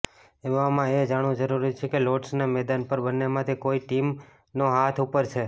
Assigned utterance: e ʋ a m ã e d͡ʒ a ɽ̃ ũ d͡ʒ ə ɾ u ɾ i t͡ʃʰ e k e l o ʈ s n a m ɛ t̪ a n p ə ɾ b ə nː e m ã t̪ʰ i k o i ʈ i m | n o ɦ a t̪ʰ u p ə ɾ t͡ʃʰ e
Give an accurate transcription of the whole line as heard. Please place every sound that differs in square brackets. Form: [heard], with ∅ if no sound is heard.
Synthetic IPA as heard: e ʋ a m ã e d͡ʒ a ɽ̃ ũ d͡ʒ ə ɾ u ɾ i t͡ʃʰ e k e l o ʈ s n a m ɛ [d̪] a n p ə ɾ b ə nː e m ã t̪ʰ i k o i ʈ i m | n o ɦ a t̪ʰ u p ə ɾ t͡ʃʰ e